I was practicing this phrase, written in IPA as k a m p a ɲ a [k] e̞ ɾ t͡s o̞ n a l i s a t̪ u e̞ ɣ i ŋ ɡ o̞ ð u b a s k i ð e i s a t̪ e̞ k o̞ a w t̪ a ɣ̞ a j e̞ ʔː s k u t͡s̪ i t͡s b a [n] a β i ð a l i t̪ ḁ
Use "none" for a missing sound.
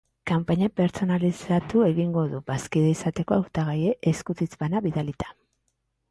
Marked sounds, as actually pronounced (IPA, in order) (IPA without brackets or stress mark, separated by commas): p, n